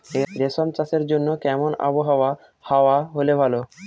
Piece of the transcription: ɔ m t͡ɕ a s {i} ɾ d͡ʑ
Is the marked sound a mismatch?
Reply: yes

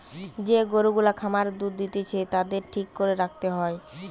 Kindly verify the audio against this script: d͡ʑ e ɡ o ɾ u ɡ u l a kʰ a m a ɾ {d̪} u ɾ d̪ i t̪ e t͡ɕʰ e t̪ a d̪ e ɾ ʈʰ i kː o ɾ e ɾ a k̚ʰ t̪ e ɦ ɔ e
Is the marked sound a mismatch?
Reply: no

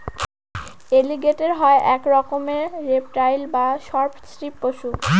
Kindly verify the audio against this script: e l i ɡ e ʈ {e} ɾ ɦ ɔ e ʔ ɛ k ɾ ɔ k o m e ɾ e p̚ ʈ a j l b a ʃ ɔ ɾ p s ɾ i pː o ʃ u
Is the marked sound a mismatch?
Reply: no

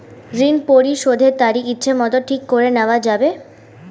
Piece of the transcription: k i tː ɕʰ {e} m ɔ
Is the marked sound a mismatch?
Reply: no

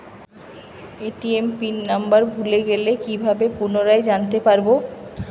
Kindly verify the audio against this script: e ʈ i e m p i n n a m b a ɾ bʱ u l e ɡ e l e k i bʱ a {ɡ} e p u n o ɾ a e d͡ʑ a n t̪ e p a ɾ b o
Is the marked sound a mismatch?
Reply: yes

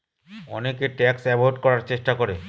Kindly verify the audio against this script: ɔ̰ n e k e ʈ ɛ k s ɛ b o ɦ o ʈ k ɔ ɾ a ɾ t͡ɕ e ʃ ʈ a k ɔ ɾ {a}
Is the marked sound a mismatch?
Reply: yes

